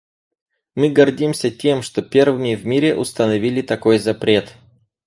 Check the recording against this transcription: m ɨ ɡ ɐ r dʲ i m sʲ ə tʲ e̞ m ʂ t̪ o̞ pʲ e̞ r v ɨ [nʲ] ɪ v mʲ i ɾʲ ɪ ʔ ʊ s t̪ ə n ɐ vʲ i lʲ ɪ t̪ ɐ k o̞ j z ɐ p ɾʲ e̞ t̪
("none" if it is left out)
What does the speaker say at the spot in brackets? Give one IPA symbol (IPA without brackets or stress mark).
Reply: mʲ